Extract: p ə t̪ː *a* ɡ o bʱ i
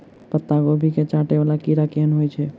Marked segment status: correct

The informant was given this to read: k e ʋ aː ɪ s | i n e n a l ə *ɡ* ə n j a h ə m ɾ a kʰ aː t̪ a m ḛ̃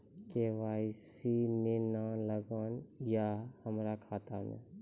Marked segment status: correct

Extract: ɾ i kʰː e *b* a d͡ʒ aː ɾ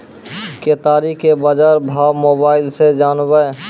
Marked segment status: correct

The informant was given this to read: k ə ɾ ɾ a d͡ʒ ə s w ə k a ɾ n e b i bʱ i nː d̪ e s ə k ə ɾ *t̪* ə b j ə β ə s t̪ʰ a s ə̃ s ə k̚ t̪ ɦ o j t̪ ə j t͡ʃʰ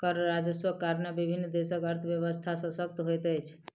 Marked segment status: incorrect: t̪ʰ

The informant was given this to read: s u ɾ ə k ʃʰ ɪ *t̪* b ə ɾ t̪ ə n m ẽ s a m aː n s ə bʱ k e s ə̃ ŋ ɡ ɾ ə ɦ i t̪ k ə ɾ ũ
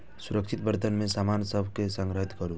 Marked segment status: correct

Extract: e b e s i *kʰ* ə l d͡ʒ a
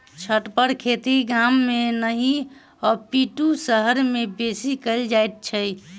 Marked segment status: incorrect: k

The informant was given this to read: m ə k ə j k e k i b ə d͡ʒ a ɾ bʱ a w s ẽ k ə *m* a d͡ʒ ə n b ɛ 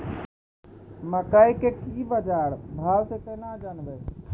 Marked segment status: incorrect: n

